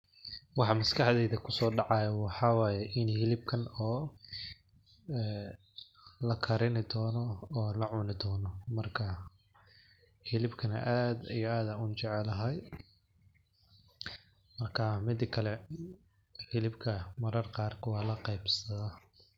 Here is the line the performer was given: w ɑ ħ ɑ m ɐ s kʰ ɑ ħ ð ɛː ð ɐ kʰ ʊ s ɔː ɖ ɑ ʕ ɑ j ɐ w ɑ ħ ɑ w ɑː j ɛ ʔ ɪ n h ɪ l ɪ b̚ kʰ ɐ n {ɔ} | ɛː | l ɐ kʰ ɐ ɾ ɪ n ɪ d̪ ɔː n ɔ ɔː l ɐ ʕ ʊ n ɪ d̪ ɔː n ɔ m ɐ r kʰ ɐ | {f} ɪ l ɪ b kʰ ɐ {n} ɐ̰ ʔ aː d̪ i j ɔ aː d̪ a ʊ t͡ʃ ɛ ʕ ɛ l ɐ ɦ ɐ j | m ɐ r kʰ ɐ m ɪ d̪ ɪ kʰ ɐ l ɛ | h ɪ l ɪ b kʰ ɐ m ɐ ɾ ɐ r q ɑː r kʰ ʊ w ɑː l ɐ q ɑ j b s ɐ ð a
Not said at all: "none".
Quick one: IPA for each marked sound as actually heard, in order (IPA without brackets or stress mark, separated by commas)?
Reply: ɔː, h, n